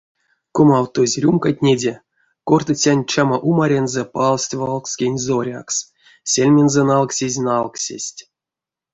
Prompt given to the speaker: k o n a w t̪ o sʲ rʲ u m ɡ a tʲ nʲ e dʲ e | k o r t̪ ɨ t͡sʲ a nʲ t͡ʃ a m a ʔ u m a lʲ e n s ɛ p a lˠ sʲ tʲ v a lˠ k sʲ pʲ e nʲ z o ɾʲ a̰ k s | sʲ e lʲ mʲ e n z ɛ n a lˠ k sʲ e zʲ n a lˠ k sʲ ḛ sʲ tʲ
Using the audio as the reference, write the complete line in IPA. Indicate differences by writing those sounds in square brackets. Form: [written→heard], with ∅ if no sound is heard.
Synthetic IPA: k o [n→m] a w t̪ o [sʲ→zʲ] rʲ u m [ɡ→k] a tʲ nʲ e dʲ e | k o r t̪ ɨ t͡sʲ a nʲ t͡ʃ a m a ʔ u m a [lʲ→ɾʲ] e n [s→z] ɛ p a lˠ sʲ tʲ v a lˠ k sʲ [pʲ→kʲ] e nʲ z o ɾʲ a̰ k s | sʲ e lʲ mʲ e n z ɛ n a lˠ k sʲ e zʲ n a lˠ k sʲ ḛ sʲ tʲ

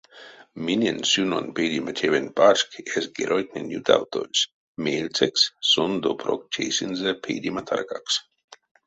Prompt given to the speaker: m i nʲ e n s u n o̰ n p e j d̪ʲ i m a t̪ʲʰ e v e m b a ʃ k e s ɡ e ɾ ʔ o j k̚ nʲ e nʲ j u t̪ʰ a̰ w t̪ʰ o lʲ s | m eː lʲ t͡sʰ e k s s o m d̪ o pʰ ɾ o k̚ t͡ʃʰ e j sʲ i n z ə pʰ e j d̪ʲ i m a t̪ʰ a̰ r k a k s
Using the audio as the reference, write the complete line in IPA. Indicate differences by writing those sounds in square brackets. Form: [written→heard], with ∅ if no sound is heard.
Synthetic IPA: m i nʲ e n s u n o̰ n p e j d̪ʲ i m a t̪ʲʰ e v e [m→n] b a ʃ k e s ɡ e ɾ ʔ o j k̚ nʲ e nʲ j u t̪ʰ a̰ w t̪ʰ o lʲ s | m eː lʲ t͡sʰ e k s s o [m→n] d̪ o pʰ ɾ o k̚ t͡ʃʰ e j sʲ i n z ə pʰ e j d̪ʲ i m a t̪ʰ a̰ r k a k s

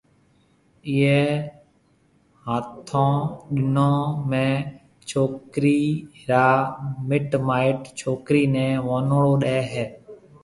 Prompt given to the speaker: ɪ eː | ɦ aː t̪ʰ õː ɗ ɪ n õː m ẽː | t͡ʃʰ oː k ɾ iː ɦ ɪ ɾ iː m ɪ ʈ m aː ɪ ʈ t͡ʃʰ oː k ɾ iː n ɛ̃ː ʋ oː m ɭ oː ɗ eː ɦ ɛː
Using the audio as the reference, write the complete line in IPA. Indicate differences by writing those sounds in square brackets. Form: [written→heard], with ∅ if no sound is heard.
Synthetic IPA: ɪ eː | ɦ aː t̪ʰ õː ɗ ɪ n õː m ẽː | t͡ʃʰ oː k ɾ iː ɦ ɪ ɾ [iː→aː] m ɪ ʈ m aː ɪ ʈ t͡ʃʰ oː k ɾ iː n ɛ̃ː ʋ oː [m→n] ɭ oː ɗ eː ɦ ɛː

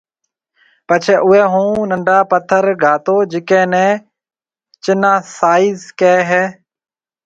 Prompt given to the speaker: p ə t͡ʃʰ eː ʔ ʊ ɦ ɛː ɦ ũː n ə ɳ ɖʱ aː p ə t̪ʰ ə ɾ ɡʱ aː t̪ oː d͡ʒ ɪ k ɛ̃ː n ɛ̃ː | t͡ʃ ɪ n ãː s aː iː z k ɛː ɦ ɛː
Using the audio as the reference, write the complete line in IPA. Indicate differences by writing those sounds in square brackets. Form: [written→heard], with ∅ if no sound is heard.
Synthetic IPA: p ə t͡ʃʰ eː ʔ ʊ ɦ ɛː ɦ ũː n ə ɳ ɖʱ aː p ə t̪ʰ ə ɾ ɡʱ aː t̪ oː d͡ʒ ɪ k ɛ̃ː n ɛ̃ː | t͡ʃ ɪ n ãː s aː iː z k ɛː ɦ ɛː

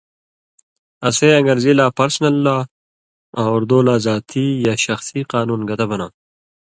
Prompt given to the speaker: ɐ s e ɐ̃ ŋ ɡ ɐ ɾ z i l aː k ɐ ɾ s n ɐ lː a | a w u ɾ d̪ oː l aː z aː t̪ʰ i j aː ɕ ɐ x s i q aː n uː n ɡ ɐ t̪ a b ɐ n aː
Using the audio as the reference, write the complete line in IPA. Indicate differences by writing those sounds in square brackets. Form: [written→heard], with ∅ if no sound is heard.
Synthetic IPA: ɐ s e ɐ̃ ŋ ɡ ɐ ɾ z i l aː [k→p] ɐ ɾ s n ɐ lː a | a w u ɾ d̪ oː l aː z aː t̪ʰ i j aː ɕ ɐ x s i q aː n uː n ɡ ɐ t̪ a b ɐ n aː

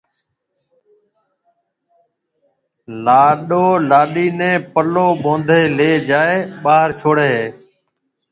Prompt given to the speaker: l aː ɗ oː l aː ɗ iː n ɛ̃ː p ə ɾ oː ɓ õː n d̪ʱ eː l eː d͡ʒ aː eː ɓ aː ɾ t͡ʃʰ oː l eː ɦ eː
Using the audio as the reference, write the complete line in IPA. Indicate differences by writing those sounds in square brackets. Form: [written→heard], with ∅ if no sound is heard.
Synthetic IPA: l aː ɗ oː l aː ɗ iː n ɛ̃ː p ə [ɾ→l] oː ɓ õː n d̪ʱ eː l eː d͡ʒ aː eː ɓ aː ɾ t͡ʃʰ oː [l→ɽ] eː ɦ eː

